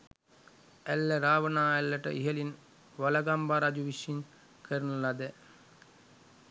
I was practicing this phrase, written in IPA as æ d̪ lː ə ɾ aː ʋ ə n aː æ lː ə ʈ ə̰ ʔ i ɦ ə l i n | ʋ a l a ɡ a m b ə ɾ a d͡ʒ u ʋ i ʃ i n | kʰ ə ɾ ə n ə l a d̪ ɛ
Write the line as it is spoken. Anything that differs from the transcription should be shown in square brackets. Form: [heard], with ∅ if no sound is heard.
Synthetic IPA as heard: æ [∅] lː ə ɾ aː ʋ ə n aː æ lː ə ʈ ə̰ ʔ i ɦ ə l i n | ʋ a l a ɡ a m b [a] ɾ a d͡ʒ u ʋ i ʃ i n | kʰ ə ɾ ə n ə l a d̪ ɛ